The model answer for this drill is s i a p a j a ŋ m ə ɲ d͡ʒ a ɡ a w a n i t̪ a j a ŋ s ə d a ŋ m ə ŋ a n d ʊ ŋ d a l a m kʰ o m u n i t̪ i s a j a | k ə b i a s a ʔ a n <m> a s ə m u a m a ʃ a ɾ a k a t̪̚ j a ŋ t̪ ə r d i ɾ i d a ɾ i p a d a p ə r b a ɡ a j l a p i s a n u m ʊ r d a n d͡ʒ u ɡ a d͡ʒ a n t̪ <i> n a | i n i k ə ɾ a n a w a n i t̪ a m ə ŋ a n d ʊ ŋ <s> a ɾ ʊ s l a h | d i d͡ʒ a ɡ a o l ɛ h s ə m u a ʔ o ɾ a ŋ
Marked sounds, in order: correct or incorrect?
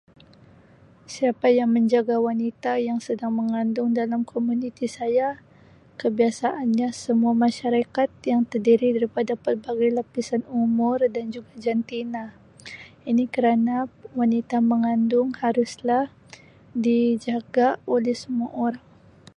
incorrect, correct, incorrect

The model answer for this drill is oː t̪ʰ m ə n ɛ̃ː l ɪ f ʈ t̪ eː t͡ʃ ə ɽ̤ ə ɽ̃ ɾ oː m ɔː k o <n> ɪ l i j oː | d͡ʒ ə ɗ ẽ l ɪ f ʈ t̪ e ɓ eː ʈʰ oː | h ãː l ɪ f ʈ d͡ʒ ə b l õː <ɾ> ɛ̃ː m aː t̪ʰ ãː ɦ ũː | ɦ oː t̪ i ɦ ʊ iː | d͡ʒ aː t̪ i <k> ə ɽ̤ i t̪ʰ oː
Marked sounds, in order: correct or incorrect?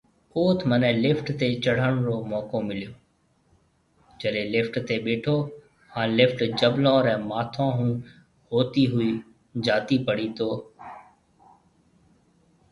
incorrect, correct, incorrect

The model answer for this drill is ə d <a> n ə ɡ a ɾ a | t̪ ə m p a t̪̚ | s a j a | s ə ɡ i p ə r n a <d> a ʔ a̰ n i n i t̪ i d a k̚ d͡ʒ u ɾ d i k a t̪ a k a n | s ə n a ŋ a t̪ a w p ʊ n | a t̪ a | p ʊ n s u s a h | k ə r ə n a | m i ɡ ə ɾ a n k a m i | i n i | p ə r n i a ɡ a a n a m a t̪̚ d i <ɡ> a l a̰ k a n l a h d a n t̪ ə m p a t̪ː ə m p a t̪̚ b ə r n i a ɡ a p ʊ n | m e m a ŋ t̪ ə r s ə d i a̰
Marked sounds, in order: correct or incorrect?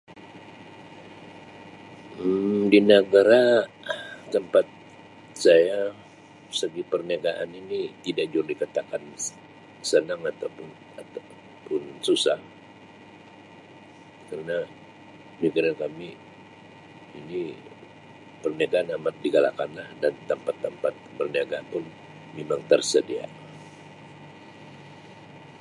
incorrect, incorrect, correct

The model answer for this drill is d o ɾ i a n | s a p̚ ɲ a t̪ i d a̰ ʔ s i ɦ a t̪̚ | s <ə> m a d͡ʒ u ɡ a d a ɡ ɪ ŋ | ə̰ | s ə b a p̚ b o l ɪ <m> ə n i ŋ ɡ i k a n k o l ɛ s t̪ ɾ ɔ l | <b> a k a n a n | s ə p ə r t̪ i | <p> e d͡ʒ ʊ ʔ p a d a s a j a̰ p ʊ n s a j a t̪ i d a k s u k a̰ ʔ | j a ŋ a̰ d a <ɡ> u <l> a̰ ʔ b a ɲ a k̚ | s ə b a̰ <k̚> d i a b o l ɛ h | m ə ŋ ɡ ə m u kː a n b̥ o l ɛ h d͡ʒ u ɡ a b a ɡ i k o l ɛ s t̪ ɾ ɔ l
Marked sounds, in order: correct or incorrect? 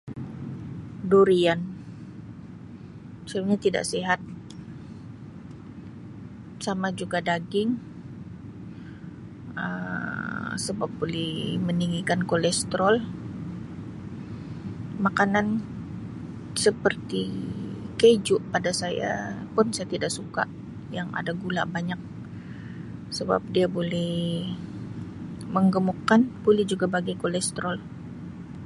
incorrect, correct, incorrect, incorrect, correct, correct, incorrect

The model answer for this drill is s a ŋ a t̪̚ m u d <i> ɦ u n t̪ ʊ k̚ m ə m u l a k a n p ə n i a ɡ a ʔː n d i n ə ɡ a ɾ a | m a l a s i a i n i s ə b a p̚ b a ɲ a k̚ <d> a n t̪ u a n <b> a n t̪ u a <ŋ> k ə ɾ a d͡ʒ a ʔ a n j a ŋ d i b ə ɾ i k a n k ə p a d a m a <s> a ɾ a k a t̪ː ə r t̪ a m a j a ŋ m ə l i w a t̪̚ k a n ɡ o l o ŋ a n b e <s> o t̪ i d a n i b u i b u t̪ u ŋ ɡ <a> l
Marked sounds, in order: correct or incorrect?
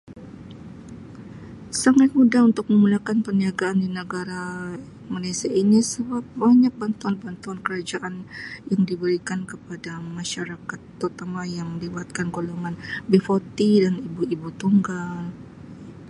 incorrect, incorrect, correct, incorrect, incorrect, incorrect, correct

